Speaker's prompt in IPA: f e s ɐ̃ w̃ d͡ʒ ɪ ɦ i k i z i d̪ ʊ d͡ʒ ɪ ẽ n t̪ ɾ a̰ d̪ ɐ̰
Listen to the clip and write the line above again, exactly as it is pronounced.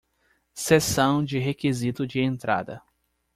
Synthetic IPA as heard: s e s ɐ̃ w̃ d͡ʒ ɪ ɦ e k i z i t̪ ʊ d͡ʒ ɪ ẽ n t̪ ɾ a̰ d̪ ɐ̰